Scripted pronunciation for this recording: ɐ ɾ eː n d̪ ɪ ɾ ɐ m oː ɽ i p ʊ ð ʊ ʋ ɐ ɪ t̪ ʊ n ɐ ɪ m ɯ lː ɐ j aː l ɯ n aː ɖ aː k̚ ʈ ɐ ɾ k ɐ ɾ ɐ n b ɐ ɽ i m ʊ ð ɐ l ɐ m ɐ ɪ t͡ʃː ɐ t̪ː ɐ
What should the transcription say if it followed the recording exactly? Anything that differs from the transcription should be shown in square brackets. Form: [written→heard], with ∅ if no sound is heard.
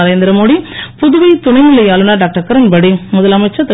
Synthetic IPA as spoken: ɐ ɾ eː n d̪ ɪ ɾ ɐ m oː ɽ i p ʊ ð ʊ ʋ ɐ ɪ t̪ ʊ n ɐ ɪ m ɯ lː ɐ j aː l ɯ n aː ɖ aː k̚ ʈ ɐ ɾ k ɐ ɾ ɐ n b ɐ ɽ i m ʊ ð ɐ l ɐ m ɐ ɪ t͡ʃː ɐ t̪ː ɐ